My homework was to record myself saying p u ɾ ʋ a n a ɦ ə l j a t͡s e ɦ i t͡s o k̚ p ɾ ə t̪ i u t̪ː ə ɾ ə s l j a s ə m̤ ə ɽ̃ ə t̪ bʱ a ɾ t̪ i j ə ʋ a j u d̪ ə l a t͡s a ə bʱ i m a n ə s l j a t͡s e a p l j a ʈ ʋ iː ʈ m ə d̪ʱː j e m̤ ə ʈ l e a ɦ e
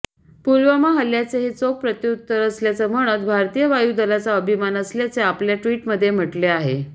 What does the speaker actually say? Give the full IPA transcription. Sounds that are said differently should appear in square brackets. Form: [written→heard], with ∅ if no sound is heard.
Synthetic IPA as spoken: p u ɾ ʋ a [n→m] a ɦ ə l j a t͡s e ɦ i t͡s o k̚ p ɾ ə t̪ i u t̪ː ə ɾ ə s l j a [s→t͡s] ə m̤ ə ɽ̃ ə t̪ bʱ a ɾ t̪ i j ə ʋ a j u d̪ ə l a t͡s a ə bʱ i m a n ə s l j a t͡s e a p l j a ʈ ʋ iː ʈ m ə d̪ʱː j e m̤ ə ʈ l e a ɦ e